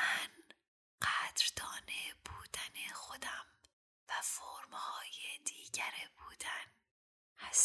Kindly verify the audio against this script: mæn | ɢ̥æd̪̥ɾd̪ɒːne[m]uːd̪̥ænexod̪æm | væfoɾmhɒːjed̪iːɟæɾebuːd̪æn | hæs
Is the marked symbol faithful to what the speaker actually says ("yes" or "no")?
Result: no